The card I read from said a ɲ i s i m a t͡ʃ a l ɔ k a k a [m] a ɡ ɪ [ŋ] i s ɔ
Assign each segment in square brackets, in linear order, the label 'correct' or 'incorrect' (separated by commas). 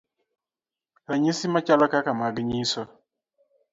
correct, incorrect